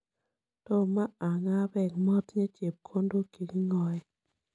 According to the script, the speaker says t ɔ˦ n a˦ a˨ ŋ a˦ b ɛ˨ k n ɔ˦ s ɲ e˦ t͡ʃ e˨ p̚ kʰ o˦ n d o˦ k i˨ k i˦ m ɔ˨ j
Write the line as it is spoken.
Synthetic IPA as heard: t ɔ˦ m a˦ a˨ ŋ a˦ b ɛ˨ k m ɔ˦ t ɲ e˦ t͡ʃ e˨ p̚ kʰ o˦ n d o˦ k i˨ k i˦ ŋ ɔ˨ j